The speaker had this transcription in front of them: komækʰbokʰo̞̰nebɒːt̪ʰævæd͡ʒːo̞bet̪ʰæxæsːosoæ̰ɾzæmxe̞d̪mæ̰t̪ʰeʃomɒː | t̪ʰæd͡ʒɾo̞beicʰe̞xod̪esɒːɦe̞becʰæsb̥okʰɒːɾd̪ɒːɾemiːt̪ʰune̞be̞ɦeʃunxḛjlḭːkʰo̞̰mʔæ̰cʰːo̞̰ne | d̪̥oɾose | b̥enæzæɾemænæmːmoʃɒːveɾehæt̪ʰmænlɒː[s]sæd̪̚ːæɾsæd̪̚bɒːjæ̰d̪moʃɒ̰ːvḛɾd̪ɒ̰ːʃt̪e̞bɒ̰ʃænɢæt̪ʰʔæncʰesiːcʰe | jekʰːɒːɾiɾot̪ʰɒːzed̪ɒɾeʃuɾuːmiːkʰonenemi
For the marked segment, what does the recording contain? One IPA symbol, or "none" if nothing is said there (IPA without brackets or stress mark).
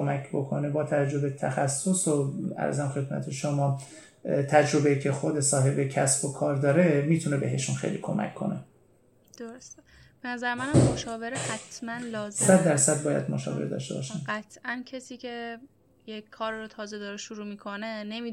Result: z